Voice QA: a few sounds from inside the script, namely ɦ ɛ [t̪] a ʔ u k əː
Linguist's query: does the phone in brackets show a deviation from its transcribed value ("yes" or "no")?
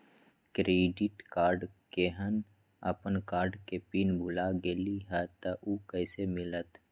no